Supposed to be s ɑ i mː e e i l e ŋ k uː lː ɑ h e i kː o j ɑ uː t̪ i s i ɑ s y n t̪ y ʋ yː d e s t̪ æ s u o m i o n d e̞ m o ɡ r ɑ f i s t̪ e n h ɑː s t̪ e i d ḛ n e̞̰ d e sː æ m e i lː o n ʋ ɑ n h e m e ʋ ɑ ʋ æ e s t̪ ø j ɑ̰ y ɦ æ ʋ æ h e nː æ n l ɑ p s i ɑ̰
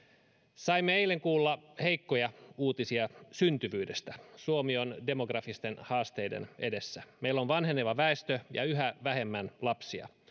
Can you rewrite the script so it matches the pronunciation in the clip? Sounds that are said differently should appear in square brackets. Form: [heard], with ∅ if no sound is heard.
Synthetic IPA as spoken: s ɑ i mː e e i l e ŋ k uː lː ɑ h e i kː o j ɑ uː t̪ i s i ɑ s y n t̪ y ʋ yː d e s t̪ æ s u o m i o n d e̞ m o ɡ r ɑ f i s t̪ e n h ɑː s t̪ e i d ḛ n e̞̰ d e sː æ m e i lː o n ʋ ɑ n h e [n] e ʋ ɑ ʋ æ e s t̪ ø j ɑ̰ y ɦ æ ʋ æ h e [mː] æ n l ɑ p s i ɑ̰